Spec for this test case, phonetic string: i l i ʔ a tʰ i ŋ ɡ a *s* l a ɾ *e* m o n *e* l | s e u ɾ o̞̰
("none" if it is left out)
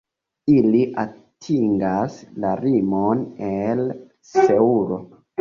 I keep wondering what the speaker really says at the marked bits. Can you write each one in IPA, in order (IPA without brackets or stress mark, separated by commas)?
s, i, e